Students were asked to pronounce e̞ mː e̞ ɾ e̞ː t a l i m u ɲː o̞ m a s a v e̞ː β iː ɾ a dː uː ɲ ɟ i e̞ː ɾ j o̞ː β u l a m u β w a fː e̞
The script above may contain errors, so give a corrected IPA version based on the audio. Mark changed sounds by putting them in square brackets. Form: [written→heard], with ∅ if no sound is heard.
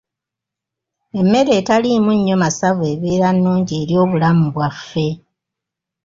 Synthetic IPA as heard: e̞ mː e̞ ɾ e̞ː t a l i m u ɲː o̞ m a s a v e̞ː β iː ɾ a [dː→nː] uː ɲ ɟ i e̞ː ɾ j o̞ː β u l a m u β w a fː e̞